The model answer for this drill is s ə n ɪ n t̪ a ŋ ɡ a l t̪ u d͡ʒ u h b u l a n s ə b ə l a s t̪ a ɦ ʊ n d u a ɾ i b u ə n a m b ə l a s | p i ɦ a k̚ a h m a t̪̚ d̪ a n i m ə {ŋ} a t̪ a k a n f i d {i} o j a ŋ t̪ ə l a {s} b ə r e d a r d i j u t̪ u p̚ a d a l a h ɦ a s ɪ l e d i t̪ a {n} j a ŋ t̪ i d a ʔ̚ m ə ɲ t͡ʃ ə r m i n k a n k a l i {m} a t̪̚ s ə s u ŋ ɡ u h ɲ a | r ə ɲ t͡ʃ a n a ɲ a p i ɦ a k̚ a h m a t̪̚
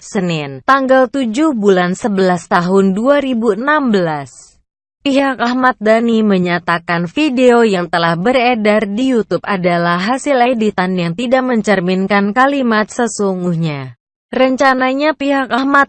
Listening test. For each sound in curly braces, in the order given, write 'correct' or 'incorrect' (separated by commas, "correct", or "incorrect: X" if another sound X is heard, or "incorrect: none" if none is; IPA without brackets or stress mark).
incorrect: ɲ, incorrect: e, incorrect: h, correct, correct